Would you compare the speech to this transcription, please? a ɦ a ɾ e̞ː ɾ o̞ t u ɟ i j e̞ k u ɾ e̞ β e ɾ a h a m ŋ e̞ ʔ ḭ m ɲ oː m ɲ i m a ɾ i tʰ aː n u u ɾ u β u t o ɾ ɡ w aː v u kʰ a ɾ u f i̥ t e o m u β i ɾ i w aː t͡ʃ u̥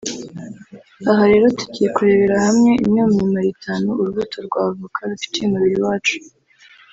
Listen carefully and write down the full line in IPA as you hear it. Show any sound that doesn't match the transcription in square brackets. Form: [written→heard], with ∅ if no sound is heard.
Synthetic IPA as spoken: a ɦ a ɾ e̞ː ɾ o̞ t u ɟ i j e̞ k u ɾ e̞ β e ɾ a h a m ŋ e̞ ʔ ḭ m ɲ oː m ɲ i m a ɾ i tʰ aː n u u ɾ u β u t o ɾ ɡ w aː v u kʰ a ɾ u f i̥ t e [o→u] m u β i ɾ i w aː t͡ʃ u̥